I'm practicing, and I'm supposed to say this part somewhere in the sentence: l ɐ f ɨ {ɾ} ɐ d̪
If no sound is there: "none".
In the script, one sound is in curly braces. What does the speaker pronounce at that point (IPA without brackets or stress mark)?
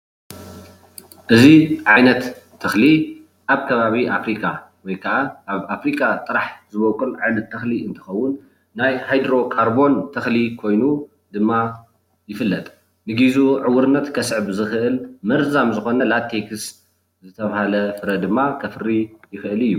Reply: ɾ